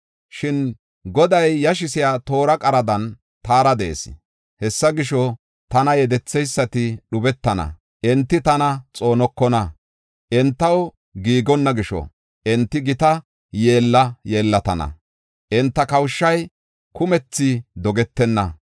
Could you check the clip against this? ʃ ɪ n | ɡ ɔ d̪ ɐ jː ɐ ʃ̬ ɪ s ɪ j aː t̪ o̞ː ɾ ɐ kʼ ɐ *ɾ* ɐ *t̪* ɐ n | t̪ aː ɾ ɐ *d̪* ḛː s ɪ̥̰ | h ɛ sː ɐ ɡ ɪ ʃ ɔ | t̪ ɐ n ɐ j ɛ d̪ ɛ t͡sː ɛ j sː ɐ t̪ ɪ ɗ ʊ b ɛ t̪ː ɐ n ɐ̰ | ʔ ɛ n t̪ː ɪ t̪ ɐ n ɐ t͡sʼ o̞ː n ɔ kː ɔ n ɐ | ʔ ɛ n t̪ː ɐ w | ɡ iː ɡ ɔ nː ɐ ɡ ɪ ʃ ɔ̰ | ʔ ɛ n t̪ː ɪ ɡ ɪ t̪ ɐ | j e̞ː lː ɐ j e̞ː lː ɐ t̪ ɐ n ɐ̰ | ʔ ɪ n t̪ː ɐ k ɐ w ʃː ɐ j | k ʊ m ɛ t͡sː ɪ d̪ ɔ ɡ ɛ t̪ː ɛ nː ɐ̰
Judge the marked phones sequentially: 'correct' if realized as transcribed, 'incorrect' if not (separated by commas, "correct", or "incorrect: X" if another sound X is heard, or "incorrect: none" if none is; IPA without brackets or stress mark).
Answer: correct, incorrect: d̪, correct